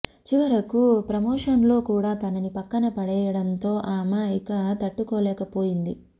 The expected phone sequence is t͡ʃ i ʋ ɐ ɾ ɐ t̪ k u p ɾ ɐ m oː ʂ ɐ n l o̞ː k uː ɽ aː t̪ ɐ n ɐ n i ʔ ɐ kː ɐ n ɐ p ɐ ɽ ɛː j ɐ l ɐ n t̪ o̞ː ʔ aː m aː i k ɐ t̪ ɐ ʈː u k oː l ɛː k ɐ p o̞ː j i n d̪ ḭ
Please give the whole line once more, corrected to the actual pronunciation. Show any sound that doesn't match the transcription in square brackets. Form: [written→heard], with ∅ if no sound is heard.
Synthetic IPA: t͡ʃ i ʋ ɐ ɾ ɐ [t̪→∅] k u p ɾ ɐ m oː ʂ ɐ n l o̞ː k uː ɽ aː t̪ ɐ n ɐ n i [ʔ→p] ɐ kː ɐ n ɐ p ɐ ɽ ɛː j ɐ [l→ɽ] ɐ n t̪ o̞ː ʔ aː m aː i k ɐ t̪ ɐ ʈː u k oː l ɛː k ɐ p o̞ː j i n d̪ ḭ